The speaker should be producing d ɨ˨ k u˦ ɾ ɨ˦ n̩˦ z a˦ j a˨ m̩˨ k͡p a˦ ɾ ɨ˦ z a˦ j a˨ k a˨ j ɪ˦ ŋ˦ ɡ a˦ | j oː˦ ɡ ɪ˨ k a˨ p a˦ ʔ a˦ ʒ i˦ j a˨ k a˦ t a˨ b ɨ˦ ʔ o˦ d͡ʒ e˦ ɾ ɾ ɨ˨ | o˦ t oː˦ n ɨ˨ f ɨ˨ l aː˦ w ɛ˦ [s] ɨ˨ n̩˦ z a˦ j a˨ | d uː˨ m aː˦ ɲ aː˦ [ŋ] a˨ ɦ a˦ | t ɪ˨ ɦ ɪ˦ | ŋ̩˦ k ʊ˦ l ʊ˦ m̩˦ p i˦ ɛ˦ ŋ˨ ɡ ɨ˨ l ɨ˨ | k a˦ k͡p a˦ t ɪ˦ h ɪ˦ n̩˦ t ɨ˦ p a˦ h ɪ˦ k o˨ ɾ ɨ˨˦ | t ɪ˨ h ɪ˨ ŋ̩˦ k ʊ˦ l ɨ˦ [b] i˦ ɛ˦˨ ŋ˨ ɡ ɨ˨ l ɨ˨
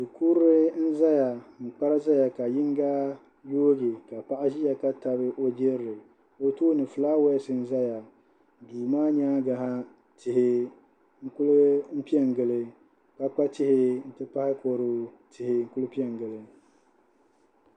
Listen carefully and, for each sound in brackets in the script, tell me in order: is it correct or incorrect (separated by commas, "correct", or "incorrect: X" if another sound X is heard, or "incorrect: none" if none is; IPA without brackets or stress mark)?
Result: correct, incorrect: ɡ, incorrect: p